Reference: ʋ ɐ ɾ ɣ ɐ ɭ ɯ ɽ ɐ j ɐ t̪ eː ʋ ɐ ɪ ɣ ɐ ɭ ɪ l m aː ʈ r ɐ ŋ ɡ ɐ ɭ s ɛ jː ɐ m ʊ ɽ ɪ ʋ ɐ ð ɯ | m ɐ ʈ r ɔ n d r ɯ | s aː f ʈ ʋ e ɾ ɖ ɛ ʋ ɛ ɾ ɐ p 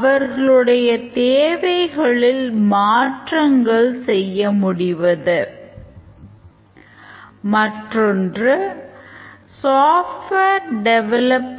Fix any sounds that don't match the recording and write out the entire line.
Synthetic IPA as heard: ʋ ɐ ɾ ɣ ɐ ɭ ɯ ɽ ɐ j ɐ t̪ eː ʋ ɐ ɪ ɣ ɐ ɭ ɪ l m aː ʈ r ɐ ŋ ɡ ɐ ɭ s ɛ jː ɐ m ʊ ɽ ɪ ʋ ɐ ð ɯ | m ɐ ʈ r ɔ n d r ɯ | s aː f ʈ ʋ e ɾ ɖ ɛ ʋ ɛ l ɐ p

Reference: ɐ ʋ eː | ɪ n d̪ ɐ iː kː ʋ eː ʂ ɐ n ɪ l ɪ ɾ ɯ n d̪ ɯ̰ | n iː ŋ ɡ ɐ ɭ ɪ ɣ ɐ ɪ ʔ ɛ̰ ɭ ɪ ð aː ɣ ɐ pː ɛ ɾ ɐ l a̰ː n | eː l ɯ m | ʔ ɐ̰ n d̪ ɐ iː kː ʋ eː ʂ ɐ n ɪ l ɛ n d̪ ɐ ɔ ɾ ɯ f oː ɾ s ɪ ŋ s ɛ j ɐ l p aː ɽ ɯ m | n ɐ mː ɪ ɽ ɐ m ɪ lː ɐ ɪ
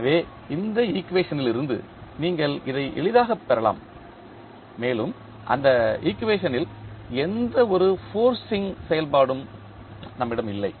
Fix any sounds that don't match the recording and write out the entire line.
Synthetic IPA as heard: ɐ ʋ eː | ɪ n d̪ ɐ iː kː ʋ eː ʂ ɐ n ɪ l ɪ ɾ ɯ n d̪ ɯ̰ | n iː ŋ ɡ ɐ ɭ ɪ ð ɐ ɪ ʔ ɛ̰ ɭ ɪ ð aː ɣ ɐ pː ɛ ɾ ɐ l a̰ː m | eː l ɯ m | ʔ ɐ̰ n d̪ ɐ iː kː ʋ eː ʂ ɐ n ɪ l ɛ n d̪ ɐ ɔ ɾ ɯ f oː ɾ s ɪ ŋ s ɛ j ɐ l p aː ɽ ɯ m | n ɐ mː ɪ ɽ ɐ m ɪ lː ɐ ɪ

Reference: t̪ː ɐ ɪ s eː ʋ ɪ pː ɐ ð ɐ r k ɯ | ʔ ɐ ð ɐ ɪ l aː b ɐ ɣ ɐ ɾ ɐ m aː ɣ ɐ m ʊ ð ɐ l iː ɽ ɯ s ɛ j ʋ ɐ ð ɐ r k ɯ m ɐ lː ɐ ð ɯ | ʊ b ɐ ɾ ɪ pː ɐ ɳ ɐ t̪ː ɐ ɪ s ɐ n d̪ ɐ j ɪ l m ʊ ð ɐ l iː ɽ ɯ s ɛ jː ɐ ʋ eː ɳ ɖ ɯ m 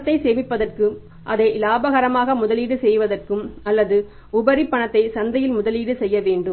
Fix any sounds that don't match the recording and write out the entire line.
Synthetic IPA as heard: t̪ː ɐ ɪ s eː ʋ ɪ pː ɐ ð ɐ r k ɯ | ʔ ɐ ð ɐ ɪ l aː b ɐ ɣ ɐ ɾ ɐ m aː ɣ ɐ m ʊ ð ɐ l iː ɽ ɯ s ɛ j ʋ ɐ ð ɐ r k ɯ m ɐ lː ɐ ð ɯ | ʊ b ɐ ɾ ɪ pː ɐ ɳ ɐ t̪ː ɐ ɪ s ɐ n d̪ ɐ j ɪ l m ʊ ð ɐ l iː ɽ ɯ s ɛ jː ɐ ʋ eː ɳ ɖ ɯ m

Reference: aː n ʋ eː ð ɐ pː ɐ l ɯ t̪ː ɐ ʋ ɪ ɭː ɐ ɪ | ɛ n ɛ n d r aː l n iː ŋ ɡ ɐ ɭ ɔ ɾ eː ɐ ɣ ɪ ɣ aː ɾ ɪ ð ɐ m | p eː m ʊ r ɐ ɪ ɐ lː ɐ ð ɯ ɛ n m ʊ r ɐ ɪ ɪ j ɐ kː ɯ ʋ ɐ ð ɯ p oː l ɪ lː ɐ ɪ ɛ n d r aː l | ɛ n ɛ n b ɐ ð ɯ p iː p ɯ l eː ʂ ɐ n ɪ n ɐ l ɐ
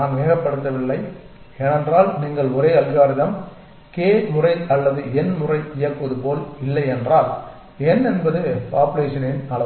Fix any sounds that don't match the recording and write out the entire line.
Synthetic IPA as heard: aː n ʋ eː ɣ ɐ pː ɐ ɽ ɯ t̪ː ɐ ʋ ɪ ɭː ɐ ɪ | ɛ n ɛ n d r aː l n iː ŋ ɡ ɐ ɭ ɔ ɾ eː ɐ ð ɪ ɣ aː ɾ ɪ ð ɐ m | k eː m ʊ r ɐ ɪ ɐ lː ɐ ð ɯ ɛ n m ʊ r ɐ ɪ ɪ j ɐ kː ɯ ʋ ɐ ð ɯ p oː l ɪ lː ɐ ɪ ɛ n d r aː l | ɛ n ɛ n b ɐ ð ɯ p aː p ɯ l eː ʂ ɐ n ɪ n ɐ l ɐ

